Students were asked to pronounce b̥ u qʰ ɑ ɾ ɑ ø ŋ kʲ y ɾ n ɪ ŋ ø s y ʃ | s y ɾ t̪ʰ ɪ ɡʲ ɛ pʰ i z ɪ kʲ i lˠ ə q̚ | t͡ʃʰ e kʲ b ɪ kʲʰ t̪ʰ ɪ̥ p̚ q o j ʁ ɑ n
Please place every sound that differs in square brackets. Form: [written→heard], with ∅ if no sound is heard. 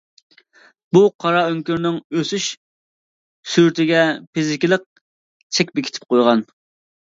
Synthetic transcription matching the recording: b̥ u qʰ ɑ ɾ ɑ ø ŋ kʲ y ɾ n ɪ ŋ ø s y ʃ | s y ɾ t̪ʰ ɪ ɡʲ ɛ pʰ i z ɪ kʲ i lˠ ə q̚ | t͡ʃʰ [e→ɛ] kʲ b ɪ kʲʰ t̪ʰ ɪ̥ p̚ q o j ʁ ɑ n